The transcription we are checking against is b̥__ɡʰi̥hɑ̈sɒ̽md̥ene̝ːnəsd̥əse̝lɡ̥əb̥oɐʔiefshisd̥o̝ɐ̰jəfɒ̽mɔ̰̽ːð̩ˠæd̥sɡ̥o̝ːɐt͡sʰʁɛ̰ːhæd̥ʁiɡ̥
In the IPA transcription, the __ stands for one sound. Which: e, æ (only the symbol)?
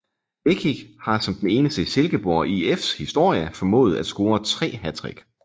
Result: e